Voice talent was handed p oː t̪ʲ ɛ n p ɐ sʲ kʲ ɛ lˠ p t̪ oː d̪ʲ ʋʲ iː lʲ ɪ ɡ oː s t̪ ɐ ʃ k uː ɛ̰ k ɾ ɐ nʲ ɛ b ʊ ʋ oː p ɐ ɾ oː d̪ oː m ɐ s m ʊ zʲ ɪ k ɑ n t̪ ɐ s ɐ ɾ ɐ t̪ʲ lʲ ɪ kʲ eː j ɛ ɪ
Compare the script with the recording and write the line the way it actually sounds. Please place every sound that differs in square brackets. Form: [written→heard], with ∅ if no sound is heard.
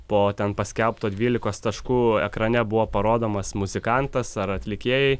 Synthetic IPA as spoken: p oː t̪ʲ ɛ n p ɐ sʲ kʲ ɛ lˠ p t̪ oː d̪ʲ ʋʲ iː lʲ ɪ [ɡ→k] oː s t̪ ɐ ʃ k uː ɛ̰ k ɾ ɐ nʲ ɛ b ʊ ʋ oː p ɐ ɾ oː d̪ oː m ɐ s m ʊ zʲ ɪ k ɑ n t̪ ɐ s ɐ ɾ ɐ t̪ʲ lʲ ɪ kʲ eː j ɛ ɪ